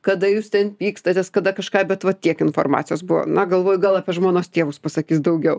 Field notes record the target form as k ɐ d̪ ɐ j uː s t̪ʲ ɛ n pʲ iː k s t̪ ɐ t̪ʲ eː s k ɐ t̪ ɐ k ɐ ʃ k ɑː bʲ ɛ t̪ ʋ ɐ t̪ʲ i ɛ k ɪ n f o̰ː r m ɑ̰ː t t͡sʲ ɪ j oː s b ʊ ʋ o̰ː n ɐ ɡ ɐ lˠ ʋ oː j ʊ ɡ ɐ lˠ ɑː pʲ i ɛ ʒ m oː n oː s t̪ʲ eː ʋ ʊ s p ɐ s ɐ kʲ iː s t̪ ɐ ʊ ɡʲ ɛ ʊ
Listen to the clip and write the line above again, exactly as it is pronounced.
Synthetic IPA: k ɐ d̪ ɐ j uː s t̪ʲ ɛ n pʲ iː k s t̪ ɐ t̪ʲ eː s k ɐ d̪ ɐ k ɐ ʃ k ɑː bʲ ɛ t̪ ʋ ɐ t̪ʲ i ɛ k ɪ n f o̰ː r m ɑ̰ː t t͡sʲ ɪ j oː s b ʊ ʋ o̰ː n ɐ ɡ ɐ lˠ ʋ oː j ʊ ɡ ɐ lˠ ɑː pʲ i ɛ ʒ m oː n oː s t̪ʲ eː ʋ ʊ s p ɐ s ɐ kʲ iː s d̪ ɐ ʊ ɡʲ ɛ ʊ